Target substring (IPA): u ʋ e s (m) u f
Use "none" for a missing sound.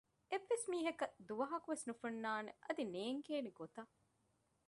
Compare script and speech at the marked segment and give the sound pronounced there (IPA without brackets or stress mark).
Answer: n